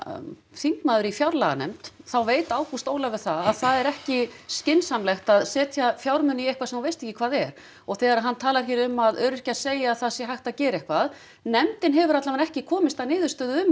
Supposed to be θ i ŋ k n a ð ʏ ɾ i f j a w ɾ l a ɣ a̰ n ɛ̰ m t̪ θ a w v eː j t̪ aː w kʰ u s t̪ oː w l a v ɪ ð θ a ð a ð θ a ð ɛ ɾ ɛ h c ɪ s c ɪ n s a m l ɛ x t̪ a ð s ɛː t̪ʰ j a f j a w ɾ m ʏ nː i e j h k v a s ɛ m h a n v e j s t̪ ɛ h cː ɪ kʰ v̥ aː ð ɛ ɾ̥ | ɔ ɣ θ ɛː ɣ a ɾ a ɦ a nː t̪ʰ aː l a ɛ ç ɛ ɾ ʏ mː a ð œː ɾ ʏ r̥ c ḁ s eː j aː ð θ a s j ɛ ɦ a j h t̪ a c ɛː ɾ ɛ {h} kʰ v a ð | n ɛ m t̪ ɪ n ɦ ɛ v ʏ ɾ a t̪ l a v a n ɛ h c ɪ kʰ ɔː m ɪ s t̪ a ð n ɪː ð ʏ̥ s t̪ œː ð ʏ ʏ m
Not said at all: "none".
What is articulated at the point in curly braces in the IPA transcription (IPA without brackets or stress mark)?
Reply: h